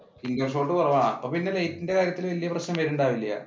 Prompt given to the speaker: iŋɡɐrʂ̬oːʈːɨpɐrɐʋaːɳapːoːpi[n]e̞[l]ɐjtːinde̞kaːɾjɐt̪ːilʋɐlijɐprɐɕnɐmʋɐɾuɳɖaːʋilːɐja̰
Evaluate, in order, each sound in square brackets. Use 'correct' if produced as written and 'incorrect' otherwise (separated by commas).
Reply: incorrect, correct